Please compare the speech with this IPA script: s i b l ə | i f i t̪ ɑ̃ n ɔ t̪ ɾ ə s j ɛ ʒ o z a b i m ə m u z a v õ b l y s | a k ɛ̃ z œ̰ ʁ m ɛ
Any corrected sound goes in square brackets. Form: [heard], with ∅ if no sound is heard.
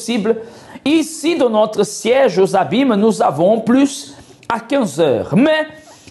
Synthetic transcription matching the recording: s i b l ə | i [s] i [d̪] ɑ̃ n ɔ t̪ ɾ ə s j ɛ ʒ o z a b i m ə [n] u z a v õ [p] l y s | a k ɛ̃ z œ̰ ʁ m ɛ

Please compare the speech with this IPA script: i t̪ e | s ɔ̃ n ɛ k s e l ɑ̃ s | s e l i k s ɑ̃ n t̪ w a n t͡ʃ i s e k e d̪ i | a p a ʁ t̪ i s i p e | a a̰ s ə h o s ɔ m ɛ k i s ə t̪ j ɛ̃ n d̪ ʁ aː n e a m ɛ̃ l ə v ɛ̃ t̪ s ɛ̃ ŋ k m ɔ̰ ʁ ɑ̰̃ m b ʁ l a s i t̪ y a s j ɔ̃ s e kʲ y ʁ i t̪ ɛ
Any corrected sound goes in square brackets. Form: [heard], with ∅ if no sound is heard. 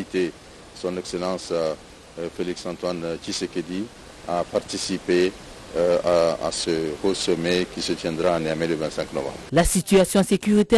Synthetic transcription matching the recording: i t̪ e | s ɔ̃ n ɛ k s e l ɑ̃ s | [f] e l i k s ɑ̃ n t̪ w a n t͡ʃ i s e k e d̪ i | a p a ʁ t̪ i s i p e | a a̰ s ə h o s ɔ m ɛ k i s ə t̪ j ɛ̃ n d̪ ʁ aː n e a m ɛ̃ l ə v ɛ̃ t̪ s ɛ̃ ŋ k [n] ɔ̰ [v] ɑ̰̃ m b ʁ l a s i t̪ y a s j ɔ̃ s e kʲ y ʁ i t̪ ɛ

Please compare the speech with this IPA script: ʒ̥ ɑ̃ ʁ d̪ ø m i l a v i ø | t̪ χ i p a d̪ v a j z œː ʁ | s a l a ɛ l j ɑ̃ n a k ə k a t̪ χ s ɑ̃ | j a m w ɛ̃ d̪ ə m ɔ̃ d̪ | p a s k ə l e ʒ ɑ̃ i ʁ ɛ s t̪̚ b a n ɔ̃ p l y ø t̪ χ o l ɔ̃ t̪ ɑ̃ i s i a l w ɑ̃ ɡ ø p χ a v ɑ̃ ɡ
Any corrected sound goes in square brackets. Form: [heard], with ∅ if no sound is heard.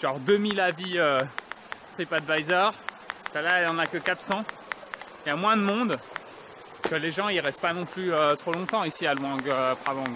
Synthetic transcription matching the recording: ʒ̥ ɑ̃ ʁ d̪ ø m i l a v i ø | t̪ χ i p a d̪ v a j z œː ʁ | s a l a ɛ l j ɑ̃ n a k ə k a t̪ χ s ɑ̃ | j a m w ɛ̃ d̪ ə m ɔ̃ d̪ | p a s k ə l e ʒ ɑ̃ i ʁ ɛ s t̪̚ [p] a n ɔ̃ p l y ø t̪ χ o l ɔ̃ t̪ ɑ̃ i s i a l w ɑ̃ ɡ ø p χ a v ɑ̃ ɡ

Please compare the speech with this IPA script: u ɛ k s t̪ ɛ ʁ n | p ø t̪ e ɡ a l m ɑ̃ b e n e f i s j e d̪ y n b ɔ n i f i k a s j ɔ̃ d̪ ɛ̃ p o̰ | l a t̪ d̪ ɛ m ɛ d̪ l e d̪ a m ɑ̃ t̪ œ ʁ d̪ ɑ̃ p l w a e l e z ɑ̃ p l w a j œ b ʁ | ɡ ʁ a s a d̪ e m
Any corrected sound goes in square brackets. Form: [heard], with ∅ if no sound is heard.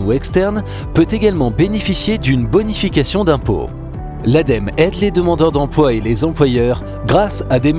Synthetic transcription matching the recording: u ɛ k s t̪ ɛ ʁ n | p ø t̪ e ɡ a l m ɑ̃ b e n e f i s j e d̪ y n b ɔ n i f i k a s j ɔ̃ d̪ ɛ̃ p o̰ | l a [∅] d̪ ɛ m ɛ d̪ l e d̪ [ə] m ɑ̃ [d̪] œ ʁ d̪ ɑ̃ p l w a e l e z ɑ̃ p l w a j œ [∅] ʁ | ɡ ʁ a s a d̪ e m

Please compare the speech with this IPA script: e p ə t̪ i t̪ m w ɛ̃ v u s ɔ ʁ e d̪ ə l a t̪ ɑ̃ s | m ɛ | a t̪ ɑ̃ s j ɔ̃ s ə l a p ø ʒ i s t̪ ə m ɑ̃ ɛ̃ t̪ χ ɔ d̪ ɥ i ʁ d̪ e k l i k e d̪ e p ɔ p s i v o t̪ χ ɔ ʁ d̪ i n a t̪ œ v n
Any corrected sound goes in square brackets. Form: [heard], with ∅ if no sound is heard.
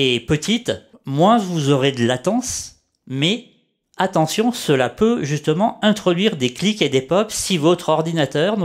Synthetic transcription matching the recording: e p ə t̪ i t̪ m w ɛ̃ v u [z] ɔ ʁ e d̪ ə l a t̪ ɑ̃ s | m ɛ | a t̪ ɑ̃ s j ɔ̃ s ə l a p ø ʒ [y] s t̪ ə m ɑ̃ ɛ̃ t̪ χ ɔ d̪ ɥ i ʁ d̪ e k l i k e d̪ e p ɔ p s i v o t̪ χ ɔ ʁ d̪ i n a t̪ œ [ʁ] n

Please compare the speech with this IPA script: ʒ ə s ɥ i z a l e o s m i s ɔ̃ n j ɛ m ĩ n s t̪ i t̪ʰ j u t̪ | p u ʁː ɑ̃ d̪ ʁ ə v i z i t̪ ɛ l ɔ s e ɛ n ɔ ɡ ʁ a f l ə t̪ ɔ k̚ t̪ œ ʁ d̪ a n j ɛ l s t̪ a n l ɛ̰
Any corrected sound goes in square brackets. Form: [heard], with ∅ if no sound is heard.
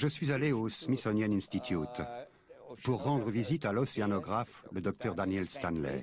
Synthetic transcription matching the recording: ʒ ə s ɥ i z a l e o s m i s [ɔ] n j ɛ [n] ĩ n s t̪ i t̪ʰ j u t̪ | p u ʁː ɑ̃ d̪ ʁ ə v i z i t̪ [a] l ɔ s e [a] n ɔ ɡ ʁ a f l ə [d̪] ɔ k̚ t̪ œ ʁ d̪ a n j ɛ l s t̪ a n l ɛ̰

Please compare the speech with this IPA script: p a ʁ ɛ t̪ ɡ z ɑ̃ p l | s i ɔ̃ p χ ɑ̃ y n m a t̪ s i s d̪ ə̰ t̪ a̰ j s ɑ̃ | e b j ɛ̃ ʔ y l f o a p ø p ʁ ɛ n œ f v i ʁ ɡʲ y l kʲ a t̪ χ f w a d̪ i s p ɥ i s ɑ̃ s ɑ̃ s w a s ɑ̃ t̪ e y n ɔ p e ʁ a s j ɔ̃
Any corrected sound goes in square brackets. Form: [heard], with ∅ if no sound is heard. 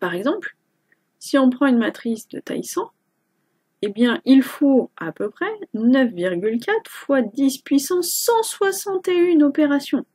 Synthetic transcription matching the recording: p a ʁ ɛ [∅] ɡ z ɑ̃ p l | s i ɔ̃ p χ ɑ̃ y n m a t̪ [χ] i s d̪ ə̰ t̪ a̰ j s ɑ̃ | e b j ɛ̃ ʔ [i] l f o a p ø p [χ] ɛ n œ f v i ʁ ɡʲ y l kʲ a t̪ χ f w a d̪ i s p ɥ i s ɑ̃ s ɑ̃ s w a s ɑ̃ t̪ e y n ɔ p e ʁ a s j ɔ̃

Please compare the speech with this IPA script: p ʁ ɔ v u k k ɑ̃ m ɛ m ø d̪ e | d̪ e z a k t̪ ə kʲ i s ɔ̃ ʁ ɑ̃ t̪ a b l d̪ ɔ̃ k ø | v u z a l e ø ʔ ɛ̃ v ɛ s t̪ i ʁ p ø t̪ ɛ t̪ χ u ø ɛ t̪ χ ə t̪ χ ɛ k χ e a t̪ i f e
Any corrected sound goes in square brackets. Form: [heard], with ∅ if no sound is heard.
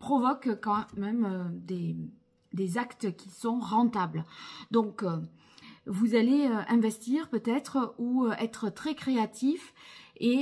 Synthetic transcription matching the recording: p [χ] ɔ v [ɔ] k k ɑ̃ m ɛ m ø d̪ e | d̪ e z a k t̪ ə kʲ i s ɔ̃ ʁ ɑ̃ t̪ a b l d̪ ɔ̃ k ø | v u z a l e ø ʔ ɛ̃ v ɛ s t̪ i ʁ p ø t̪ ɛ t̪ χ u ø ɛ t̪ χ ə t̪ χ ɛ k χ e a t̪ i f e

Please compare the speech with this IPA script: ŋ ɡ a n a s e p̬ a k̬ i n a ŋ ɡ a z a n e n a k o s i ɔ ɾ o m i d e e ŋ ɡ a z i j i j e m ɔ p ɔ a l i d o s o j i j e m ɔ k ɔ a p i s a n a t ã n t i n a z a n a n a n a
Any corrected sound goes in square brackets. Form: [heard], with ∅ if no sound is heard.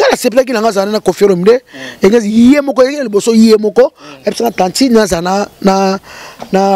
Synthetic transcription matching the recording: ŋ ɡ a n a s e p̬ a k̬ i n a ŋ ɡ a z a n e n a k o [f] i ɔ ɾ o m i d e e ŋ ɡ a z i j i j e m ɔ [k] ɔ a l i [b] o s o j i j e m ɔ k ɔ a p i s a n a t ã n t i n a z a n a n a n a

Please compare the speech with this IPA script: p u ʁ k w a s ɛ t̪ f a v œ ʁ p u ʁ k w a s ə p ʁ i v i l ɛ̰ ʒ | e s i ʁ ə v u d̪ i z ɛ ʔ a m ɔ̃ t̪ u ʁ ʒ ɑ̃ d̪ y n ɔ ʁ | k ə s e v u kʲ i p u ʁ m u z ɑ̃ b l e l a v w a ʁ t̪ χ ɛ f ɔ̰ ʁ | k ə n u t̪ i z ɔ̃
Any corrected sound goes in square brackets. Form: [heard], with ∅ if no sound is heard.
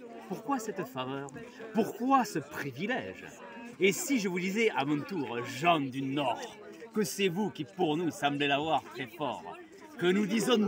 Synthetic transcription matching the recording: p u ʁ k w a s ɛ t̪ f a v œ ʁ p u ʁ k w a s ə p [χ] i v i l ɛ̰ ʒ | e s i [ʒ] ə v u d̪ i z ɛ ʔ a m ɔ̃ t̪ u ʁ ʒ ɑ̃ d̪ y n ɔ ʁ | k ə s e v u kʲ i p u ʁ [n] u [s] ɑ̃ b l e l a v w a ʁ t̪ χ ɛ f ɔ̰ ʁ | k ə n u [d̪] i z ɔ̃

